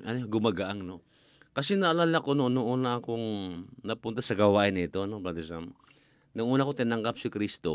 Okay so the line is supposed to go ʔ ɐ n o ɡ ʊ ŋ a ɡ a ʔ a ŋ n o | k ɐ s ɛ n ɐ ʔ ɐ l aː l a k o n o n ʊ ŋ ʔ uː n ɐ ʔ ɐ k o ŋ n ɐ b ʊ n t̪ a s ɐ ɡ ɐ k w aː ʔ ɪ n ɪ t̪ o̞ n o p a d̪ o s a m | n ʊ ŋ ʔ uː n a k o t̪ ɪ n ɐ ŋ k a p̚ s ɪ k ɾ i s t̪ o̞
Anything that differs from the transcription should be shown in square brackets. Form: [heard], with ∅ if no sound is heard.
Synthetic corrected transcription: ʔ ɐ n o ɡ ʊ [m] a ɡ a ʔ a ŋ n o | k ɐ s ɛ n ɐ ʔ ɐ l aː l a k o n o n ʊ ŋ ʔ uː n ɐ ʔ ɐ k o ŋ n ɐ [p] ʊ n t̪ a s ɐ ɡ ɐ [∅] w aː ʔ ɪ n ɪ t̪ o̞ n o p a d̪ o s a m | n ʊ ŋ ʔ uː n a k o t̪ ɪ n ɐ ŋ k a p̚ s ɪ k ɾ i s t̪ o̞